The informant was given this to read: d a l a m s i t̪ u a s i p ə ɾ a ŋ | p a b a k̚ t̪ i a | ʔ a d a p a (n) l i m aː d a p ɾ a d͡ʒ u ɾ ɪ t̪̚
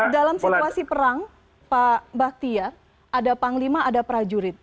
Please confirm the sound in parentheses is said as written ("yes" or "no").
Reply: no